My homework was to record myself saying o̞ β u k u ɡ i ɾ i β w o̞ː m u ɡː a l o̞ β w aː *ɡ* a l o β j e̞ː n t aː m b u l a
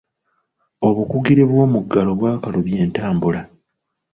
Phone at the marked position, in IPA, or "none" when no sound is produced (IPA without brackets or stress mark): k